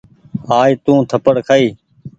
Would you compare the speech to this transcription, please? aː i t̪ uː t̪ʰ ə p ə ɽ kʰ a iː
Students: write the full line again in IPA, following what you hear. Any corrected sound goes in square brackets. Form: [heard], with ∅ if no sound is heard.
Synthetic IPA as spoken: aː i t̪ [ũː] t̪ʰ ə p ə ɽ kʰ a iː